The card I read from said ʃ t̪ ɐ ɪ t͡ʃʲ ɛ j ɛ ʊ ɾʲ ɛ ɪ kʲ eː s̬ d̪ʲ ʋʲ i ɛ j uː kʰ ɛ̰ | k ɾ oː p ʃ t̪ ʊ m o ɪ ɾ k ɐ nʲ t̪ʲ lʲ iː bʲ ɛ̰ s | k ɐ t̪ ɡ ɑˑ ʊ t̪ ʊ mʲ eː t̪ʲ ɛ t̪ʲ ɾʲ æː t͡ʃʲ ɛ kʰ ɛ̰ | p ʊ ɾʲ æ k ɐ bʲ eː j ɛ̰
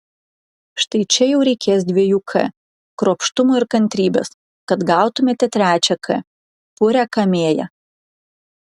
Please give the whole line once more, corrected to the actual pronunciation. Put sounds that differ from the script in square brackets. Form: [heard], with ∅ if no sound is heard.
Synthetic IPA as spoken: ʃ t̪ ɐ ɪ t͡ʃʲ ɛ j ɛ ʊ ɾʲ ɛ ɪ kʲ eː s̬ d̪ʲ ʋʲ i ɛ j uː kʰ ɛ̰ | k ɾ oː p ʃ t̪ ʊ m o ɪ ɾ k ɐ nʲ t̪ʲ [ɾʲ] iː bʲ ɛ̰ s | k ɐ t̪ ɡ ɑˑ ʊ t̪ ʊ mʲ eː t̪ʲ ɛ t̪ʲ ɾʲ æː t͡ʃʲ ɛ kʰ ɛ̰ | p ʊ ɾʲ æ k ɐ [mʲ] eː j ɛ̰